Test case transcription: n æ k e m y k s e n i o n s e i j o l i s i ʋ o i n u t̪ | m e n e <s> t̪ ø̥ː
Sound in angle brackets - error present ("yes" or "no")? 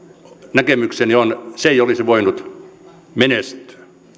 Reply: no